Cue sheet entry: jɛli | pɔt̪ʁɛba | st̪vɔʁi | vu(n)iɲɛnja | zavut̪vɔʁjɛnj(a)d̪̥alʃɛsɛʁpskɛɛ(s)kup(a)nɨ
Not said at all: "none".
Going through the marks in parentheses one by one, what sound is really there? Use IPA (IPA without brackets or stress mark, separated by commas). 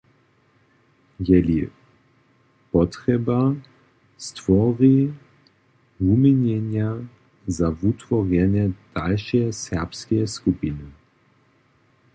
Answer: m, ɛ, s, i